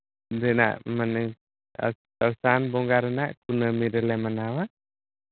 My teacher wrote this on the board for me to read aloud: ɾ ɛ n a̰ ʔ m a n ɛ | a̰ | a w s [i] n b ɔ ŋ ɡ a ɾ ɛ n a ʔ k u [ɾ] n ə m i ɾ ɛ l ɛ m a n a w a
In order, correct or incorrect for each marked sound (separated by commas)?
incorrect, incorrect